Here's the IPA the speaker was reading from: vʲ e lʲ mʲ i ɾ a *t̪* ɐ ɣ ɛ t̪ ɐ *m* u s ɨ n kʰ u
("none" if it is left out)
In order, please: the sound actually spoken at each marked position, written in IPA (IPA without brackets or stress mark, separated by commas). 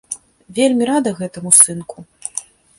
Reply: d̪, m